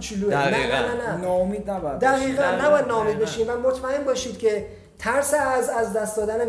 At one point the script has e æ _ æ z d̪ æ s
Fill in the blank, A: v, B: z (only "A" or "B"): B